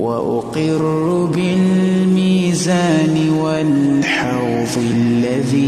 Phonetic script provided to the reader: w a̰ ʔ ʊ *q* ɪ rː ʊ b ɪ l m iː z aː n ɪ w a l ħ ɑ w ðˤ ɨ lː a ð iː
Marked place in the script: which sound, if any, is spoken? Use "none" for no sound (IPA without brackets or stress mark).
q